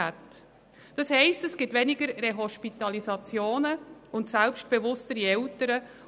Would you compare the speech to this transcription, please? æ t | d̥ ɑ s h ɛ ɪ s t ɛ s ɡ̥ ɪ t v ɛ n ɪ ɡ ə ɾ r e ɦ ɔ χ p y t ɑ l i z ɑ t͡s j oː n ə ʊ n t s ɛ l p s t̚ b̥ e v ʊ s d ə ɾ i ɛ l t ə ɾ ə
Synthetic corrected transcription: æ t | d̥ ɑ s h ɛ ɪ s t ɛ s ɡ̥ ɪ t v ɛ n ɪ ɡ ə ɾ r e ɦ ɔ ʃ p i t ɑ l i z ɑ t͡s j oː n ə ʊ n t s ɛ l p ʃ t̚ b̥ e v ʊ s t ə ɾ i ɛ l t ə ɾ ə